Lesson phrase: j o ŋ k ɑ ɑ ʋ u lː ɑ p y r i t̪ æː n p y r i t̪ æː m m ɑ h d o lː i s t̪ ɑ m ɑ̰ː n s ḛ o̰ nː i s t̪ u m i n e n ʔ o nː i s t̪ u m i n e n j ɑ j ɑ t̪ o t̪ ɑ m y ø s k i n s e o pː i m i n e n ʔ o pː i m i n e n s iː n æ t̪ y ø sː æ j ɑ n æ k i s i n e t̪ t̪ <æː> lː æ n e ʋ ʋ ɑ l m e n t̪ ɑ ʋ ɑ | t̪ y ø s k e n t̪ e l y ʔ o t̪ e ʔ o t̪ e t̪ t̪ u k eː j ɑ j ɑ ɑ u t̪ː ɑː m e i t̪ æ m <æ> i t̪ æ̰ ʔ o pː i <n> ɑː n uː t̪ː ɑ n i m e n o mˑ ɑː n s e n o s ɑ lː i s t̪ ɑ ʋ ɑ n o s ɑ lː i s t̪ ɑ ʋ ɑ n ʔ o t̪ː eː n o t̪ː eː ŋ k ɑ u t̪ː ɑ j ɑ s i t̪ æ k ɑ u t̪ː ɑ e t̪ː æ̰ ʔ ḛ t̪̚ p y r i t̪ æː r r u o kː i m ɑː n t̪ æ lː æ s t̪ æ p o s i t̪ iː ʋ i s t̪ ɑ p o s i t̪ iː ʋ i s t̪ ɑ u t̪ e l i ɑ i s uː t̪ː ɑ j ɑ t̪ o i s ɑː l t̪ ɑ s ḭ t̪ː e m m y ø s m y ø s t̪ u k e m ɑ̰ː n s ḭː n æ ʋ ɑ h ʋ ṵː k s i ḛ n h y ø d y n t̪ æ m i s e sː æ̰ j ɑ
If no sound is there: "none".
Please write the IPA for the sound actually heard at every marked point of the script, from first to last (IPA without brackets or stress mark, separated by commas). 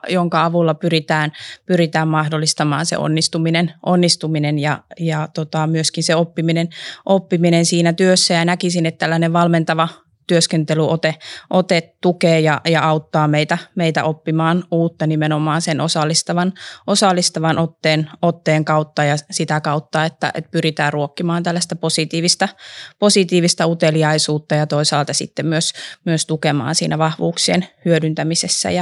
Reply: æ, e, m